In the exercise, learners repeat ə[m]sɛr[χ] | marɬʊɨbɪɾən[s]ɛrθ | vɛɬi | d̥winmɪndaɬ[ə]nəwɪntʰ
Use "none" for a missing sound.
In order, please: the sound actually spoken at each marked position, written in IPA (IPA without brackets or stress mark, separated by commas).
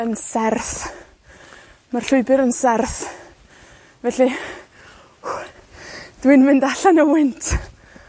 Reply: n, θ, s, a